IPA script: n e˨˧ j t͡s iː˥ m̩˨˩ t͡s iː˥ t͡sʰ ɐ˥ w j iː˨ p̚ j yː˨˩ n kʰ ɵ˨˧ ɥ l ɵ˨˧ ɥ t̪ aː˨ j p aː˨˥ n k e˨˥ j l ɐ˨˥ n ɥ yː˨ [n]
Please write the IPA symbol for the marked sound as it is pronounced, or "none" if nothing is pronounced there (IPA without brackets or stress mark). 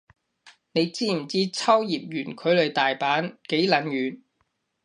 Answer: n